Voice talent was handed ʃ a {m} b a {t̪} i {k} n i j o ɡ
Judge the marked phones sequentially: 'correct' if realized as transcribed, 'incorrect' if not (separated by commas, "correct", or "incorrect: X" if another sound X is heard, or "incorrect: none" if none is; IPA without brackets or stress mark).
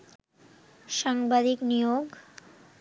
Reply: incorrect: ŋ, incorrect: d̪, correct